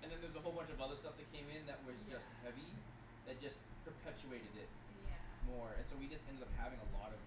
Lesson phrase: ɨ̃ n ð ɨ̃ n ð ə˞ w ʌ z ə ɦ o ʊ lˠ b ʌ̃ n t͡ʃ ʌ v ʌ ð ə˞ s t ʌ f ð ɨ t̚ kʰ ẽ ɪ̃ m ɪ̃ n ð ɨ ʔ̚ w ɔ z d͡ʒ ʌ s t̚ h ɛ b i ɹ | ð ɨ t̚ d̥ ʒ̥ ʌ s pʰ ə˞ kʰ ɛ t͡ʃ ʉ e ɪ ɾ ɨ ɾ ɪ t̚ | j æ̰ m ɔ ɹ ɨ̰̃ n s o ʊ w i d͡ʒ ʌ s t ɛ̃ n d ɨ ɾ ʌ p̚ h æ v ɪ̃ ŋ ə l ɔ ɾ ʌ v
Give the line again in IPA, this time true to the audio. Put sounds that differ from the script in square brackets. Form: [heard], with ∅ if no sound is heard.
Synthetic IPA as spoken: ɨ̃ n ð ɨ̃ n ð ə˞ w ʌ z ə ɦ o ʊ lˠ b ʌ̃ n t͡ʃ ʌ v ʌ ð ə˞ s t ʌ f ð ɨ t̚ kʰ ẽ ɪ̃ m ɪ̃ n ð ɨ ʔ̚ w [ʌ] z d͡ʒ ʌ s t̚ h ɛ [v] i [∅] | ð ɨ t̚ d̥ ʒ̥ ʌ s pʰ ə˞ [pʰ] ɛ t͡ʃ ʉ e ɪ ɾ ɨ ɾ ɪ t̚ | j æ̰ m ɔ ɹ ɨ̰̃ n s o ʊ w i d͡ʒ ʌ s t ɛ̃ n d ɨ ɾ ʌ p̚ h æ v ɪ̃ ŋ ə l ɔ ɾ ʌ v